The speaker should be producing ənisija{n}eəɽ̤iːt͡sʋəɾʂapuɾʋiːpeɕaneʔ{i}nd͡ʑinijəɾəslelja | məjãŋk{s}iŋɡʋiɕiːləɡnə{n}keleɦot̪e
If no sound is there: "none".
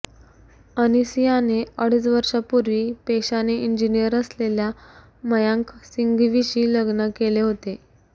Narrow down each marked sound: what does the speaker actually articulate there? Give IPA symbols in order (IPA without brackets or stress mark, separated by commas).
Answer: n, i, s, none